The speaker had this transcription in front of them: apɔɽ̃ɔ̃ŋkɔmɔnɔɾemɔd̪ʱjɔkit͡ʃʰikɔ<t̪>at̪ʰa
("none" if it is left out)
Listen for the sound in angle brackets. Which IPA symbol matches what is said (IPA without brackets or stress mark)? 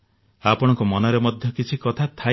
t̪ʰ